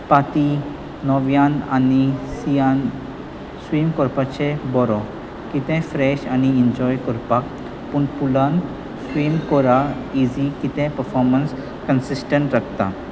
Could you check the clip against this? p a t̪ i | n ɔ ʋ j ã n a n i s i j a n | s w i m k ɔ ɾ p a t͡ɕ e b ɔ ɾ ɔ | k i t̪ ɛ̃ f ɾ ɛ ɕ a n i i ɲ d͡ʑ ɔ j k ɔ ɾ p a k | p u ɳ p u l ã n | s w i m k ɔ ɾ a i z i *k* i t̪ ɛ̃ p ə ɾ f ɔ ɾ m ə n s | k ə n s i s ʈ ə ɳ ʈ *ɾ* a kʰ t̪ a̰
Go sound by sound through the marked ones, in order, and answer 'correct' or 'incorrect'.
correct, correct

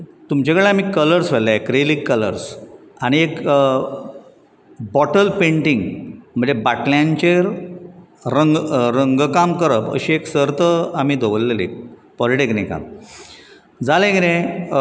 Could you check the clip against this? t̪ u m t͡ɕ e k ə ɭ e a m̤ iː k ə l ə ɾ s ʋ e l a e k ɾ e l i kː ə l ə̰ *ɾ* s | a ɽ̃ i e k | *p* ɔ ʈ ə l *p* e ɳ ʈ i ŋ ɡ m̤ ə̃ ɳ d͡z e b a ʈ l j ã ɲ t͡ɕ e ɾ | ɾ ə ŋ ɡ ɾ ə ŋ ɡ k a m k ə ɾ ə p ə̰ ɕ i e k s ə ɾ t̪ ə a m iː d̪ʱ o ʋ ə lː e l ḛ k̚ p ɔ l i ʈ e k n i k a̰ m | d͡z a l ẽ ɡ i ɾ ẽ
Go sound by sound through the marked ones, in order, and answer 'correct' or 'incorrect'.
correct, incorrect: b, correct

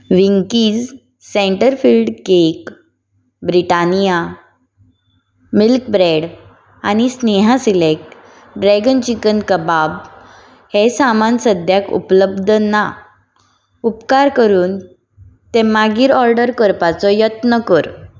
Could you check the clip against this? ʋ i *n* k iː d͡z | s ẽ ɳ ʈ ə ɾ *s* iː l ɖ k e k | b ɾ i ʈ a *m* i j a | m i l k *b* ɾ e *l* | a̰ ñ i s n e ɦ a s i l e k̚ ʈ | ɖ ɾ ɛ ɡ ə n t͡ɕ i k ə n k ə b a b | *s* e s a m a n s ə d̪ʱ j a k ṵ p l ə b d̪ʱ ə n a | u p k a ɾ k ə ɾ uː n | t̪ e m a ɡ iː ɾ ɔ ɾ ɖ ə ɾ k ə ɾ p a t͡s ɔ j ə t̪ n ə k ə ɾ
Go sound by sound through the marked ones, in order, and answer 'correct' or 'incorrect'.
incorrect: ŋ, incorrect: f, incorrect: n, correct, incorrect: ɽ, incorrect: h

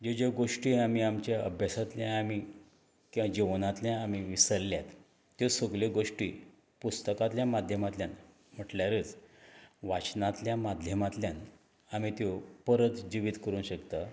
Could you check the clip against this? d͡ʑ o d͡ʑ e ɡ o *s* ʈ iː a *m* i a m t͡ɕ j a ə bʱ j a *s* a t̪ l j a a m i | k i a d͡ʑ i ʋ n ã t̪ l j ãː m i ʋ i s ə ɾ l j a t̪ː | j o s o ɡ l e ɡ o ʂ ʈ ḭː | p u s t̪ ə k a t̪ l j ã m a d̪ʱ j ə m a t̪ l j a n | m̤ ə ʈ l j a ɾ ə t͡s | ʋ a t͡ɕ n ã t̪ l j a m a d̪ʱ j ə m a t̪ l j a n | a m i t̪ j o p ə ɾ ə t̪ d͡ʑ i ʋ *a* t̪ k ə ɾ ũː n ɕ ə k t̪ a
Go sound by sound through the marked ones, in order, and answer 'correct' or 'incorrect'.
incorrect: ʂ, correct, correct, incorrect: i

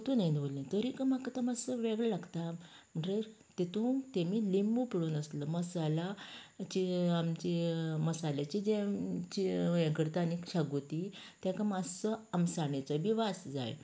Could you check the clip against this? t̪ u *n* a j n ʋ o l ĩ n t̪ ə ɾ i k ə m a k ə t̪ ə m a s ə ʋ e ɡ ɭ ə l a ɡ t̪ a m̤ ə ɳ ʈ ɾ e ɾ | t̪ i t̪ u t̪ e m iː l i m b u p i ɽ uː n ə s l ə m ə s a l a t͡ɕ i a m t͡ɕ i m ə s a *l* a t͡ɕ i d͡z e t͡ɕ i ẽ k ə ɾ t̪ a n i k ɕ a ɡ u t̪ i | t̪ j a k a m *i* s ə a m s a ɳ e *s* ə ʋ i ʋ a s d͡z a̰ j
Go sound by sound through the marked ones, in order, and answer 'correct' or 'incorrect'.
correct, correct, incorrect: a, incorrect: t͡s

